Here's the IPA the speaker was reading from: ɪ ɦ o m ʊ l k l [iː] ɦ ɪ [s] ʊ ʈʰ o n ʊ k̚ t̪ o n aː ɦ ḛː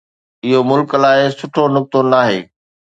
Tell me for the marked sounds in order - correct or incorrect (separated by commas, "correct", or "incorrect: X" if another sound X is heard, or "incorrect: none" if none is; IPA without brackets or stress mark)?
incorrect: aː, correct